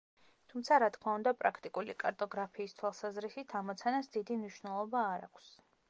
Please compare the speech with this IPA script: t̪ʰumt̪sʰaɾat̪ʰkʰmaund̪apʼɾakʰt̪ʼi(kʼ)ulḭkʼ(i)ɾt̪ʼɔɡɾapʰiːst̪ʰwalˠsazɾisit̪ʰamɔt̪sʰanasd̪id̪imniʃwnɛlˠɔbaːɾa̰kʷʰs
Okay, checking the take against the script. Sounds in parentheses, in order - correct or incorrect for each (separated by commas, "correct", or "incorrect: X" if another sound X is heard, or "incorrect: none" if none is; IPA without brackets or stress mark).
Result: correct, incorrect: a